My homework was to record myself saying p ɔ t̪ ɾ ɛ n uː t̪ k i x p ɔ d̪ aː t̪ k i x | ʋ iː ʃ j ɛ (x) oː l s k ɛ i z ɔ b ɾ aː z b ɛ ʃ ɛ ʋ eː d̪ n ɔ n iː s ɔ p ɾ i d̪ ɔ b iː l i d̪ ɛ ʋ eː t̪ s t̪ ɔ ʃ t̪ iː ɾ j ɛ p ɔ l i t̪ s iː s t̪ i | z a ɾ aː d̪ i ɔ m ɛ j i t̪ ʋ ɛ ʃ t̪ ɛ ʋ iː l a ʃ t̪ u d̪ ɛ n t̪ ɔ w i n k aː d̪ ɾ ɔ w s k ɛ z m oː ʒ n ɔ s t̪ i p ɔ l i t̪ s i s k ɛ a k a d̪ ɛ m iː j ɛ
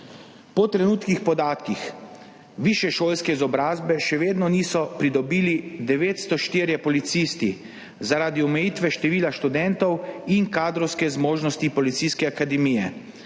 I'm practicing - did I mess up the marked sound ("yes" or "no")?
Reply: yes